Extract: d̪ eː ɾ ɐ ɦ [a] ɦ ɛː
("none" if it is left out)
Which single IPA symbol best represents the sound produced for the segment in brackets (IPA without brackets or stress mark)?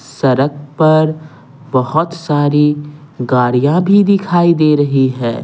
i